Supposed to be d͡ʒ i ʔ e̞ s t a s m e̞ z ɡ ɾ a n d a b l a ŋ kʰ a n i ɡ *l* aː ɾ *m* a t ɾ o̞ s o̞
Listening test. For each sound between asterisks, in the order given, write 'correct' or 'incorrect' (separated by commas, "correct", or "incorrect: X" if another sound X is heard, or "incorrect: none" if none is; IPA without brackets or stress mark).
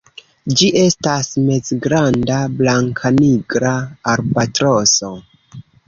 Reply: incorrect: ɾ, incorrect: b